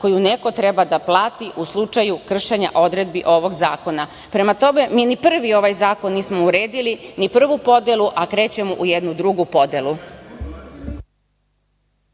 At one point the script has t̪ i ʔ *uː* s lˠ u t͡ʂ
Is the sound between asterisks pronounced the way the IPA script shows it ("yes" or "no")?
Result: no